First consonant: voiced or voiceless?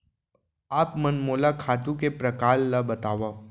voiceless